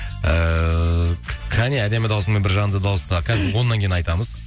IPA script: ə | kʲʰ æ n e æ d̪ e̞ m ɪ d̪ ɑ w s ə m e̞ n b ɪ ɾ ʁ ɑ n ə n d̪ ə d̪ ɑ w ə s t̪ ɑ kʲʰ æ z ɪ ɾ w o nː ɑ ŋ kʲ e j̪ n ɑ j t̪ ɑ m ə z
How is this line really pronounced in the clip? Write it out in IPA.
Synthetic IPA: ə | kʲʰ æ n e æ d̪ e̞ m ɪ d̪ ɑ w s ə m e̞ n b ɪ ɾ ʒ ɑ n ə n d̪ ə d̪ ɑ w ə s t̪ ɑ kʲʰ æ z ɪ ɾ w o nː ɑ ŋ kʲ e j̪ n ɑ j t̪ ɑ m ə z